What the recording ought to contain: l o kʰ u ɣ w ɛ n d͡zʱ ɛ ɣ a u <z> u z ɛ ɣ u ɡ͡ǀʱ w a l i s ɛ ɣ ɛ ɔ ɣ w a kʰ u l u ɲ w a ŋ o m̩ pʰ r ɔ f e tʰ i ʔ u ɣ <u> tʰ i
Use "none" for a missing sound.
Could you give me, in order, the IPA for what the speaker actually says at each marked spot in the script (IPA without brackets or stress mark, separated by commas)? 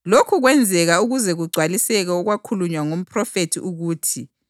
ɣ, uː